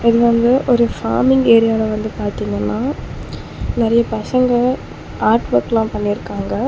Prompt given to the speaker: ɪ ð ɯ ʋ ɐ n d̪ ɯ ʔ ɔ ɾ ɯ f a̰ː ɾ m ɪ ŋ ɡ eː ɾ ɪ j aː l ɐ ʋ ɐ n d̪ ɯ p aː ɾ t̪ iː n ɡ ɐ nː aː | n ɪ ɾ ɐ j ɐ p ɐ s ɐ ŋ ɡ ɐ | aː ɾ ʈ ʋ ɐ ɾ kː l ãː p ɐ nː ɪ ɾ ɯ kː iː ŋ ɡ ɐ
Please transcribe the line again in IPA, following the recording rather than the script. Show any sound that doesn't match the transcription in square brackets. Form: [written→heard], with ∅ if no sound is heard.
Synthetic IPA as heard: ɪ ð ɯ ʋ ɐ n d̪ ɯ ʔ ɔ ɾ ɯ f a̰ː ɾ m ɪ ŋ ɡ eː ɾ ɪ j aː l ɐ ʋ ɐ n d̪ ɯ p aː ɾ t̪ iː [n→ŋ] ɡ ɐ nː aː | n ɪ ɾ ɐ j ɐ p ɐ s ɐ ŋ ɡ ɐ | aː ɾ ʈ ʋ ɐ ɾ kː l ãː p ɐ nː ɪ ɾ ɯ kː [iː→aː] ŋ ɡ ɐ